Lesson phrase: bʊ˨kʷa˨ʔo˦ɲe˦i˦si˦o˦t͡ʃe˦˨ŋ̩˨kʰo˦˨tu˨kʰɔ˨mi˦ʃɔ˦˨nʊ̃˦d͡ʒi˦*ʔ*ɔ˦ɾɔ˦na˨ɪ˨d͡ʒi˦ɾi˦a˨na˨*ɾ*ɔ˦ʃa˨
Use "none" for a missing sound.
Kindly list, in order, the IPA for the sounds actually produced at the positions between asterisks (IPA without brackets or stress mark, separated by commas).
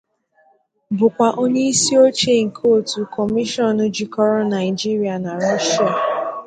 k, ɾ